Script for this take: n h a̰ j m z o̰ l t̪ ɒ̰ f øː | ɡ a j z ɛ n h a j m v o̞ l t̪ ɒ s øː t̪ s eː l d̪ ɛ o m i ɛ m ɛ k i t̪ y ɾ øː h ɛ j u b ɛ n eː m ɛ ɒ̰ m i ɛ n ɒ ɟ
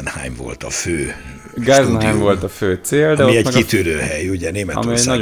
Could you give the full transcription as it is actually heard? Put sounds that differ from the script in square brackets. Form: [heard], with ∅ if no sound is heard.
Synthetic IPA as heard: n h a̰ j m [v] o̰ l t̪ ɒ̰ f øː | ɡ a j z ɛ n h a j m v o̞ l t̪ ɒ [f] øː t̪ s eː l d̪ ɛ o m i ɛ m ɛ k i t̪ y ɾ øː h ɛ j u [ɟ] ɛ n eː m ɛ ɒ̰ m i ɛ n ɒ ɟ